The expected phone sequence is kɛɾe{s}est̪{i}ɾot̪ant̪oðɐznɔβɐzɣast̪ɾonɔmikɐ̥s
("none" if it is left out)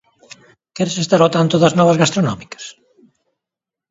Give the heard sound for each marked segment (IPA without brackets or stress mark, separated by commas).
s, a